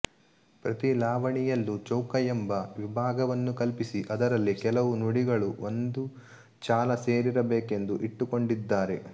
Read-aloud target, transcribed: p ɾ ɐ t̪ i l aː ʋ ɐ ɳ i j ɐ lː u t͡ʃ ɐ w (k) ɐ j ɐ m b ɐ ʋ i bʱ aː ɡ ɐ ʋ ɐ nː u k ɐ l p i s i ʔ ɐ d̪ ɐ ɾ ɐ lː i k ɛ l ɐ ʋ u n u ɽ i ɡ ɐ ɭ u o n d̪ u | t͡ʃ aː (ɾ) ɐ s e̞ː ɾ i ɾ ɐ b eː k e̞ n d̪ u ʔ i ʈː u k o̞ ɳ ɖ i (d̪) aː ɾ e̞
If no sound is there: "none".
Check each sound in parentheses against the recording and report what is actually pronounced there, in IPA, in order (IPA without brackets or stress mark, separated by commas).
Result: k, l, d̪ː